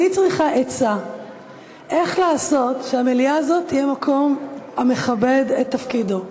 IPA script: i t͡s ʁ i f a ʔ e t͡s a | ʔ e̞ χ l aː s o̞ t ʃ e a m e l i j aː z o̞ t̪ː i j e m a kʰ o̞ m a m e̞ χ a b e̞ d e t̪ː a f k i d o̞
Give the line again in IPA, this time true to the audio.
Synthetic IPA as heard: i t͡s ʁ i χ a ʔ e t͡s a | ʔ e̞ χ l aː s o̞ t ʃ e a m e l i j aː z o̞ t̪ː i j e m a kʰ o̞ m a m e̞ χ a b e̞ d e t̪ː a f k i d o̞